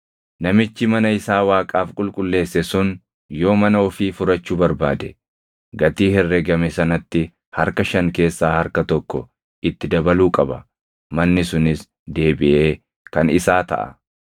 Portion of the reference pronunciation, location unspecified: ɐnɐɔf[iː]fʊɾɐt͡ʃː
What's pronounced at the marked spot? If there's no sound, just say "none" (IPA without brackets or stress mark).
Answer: iː